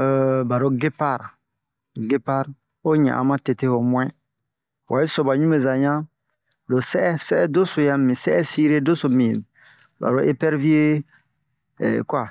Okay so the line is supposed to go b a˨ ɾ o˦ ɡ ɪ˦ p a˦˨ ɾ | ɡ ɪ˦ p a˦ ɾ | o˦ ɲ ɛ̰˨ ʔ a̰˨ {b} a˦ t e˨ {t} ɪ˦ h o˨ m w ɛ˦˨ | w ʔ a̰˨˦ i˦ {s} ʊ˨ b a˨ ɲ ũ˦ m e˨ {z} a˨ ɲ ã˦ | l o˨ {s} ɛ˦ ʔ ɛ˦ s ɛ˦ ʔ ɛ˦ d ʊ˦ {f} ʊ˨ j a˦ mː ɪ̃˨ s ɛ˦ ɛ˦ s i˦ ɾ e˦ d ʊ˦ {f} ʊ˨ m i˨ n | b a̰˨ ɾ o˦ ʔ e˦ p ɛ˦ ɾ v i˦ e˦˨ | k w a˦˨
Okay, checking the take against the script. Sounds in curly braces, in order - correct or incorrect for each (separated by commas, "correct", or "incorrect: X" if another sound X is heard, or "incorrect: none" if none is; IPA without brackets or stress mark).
incorrect: m, correct, correct, correct, correct, incorrect: s, incorrect: s